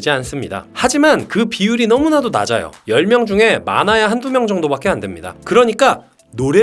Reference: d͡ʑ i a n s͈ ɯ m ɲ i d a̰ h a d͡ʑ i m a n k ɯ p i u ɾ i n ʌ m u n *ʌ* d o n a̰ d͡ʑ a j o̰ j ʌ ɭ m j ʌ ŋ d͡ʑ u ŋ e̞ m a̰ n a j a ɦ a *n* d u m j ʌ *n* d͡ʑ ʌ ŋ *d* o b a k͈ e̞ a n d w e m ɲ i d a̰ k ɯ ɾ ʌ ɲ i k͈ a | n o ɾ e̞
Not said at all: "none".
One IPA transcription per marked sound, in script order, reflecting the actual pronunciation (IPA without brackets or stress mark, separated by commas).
a, n, ŋ, d